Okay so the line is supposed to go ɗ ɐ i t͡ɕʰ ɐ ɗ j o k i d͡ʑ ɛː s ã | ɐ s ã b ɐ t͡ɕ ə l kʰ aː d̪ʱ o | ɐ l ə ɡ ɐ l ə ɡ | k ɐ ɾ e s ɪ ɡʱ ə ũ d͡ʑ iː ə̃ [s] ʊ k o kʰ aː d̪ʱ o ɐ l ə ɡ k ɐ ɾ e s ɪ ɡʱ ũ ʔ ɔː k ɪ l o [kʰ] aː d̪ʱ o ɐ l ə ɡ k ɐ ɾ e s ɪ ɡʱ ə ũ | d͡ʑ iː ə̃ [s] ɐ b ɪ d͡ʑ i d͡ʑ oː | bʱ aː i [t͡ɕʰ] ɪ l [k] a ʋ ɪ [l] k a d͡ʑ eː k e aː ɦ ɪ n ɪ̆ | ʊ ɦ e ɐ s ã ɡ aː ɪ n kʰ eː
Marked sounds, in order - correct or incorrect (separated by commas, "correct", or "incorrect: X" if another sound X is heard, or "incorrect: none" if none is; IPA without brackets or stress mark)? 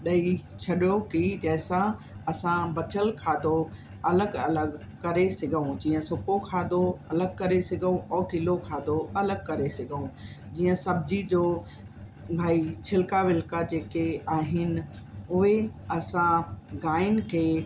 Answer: correct, correct, correct, correct, correct, correct